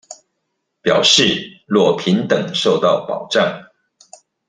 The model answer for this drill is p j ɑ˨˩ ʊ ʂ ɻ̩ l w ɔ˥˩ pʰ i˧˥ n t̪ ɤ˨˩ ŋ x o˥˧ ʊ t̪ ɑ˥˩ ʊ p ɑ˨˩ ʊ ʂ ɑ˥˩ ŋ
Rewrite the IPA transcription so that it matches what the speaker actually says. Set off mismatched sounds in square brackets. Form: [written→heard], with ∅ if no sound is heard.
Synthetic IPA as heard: p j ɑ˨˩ ʊ ʂ ɻ̩ l w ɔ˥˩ pʰ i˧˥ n t̪ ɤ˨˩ ŋ [x→ʂ] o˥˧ ʊ t̪ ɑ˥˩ ʊ p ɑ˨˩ ʊ [ʂ→ʈ͡ʂ] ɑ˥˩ ŋ